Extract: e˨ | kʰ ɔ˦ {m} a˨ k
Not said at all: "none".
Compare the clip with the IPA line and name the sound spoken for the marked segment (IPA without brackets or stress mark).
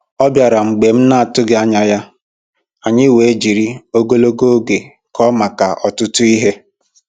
m